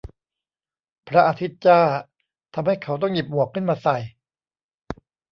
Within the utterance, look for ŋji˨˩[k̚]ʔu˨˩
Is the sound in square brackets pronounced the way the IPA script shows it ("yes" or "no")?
no